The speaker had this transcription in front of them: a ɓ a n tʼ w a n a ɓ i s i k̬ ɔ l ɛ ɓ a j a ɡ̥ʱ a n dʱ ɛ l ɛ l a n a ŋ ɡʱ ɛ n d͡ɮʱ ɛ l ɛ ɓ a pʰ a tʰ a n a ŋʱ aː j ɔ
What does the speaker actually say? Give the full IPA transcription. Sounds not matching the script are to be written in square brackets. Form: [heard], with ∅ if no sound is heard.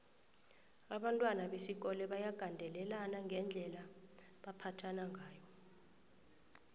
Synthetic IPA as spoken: a ɓ a n tʼ w a n a ɓ [e] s i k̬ ɔ l ɛ ɓ a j a ɡ̥ʱ a n dʱ ɛ l ɛ l a n a ŋ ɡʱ ɛ n d͡ɮʱ ɛ l [a] ɓ a pʰ a tʰ a n a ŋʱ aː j ɔ